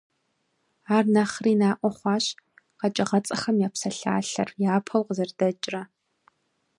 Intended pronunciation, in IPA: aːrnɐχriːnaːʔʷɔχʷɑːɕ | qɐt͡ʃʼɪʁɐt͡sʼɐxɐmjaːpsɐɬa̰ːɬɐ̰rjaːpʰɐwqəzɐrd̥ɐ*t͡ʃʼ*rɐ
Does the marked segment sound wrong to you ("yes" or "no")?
no